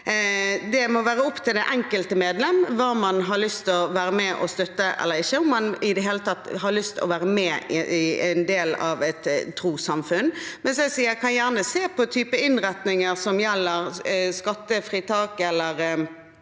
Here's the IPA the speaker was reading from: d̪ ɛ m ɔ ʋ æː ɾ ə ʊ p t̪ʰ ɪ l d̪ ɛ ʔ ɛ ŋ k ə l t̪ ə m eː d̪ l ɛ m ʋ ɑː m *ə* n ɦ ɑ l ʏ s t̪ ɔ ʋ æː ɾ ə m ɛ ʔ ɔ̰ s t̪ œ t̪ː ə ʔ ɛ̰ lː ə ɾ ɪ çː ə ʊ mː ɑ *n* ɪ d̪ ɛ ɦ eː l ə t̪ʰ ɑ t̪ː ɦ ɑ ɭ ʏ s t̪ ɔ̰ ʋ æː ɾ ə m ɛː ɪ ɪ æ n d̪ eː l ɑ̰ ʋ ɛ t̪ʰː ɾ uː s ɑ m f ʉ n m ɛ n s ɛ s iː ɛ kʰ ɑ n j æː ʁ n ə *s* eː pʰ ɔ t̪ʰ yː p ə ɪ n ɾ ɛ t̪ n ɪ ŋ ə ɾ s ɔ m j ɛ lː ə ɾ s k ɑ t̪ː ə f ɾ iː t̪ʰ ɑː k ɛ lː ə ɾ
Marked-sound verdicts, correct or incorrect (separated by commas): incorrect, correct, correct